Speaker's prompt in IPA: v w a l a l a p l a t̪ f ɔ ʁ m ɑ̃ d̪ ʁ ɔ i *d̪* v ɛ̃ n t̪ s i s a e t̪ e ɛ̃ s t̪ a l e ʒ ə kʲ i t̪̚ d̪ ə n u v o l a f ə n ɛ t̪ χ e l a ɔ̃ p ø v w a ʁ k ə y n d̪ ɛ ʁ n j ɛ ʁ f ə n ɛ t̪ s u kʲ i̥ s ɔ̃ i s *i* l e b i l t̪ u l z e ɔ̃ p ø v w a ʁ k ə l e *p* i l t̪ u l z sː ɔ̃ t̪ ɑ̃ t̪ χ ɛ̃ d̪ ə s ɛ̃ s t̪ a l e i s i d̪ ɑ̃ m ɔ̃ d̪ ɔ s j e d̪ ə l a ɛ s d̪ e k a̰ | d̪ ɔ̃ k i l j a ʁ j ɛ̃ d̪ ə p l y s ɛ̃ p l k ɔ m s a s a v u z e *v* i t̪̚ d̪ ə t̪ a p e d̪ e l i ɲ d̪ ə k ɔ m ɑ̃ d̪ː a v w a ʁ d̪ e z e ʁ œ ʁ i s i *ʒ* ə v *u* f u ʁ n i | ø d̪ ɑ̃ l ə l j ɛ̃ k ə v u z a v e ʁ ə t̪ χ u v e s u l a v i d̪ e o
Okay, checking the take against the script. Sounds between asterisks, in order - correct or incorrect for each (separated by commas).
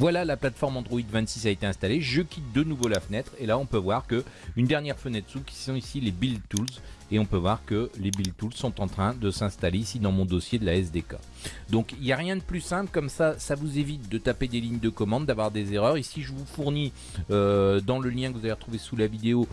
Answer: correct, correct, incorrect, correct, correct, correct